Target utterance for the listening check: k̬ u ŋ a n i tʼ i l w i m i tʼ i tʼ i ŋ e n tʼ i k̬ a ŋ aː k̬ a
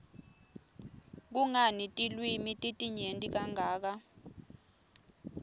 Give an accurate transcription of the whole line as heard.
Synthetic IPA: k̬ u ŋ a n i tʼ i l w i m i tʼ i tʼ i ɲ e n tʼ i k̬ a ŋ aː k̬ a